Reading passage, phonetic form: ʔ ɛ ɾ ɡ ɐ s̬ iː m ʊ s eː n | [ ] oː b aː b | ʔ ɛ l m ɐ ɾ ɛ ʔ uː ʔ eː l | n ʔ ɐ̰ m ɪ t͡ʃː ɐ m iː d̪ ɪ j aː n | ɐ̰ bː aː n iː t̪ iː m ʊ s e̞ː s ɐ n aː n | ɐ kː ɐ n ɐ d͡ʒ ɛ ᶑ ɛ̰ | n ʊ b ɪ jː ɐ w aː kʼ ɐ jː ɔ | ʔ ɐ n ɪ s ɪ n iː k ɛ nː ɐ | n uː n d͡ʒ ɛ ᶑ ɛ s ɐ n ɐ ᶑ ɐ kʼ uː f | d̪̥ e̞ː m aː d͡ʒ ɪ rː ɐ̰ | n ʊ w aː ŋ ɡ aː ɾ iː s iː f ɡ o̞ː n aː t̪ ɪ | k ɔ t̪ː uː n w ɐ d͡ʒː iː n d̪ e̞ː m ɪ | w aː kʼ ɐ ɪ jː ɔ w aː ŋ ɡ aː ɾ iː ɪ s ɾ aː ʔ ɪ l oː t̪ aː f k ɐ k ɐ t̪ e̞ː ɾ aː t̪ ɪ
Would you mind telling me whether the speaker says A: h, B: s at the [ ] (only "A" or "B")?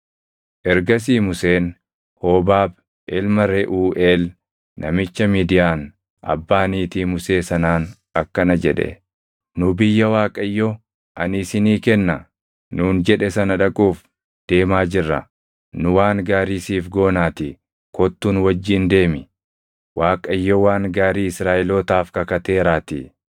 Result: A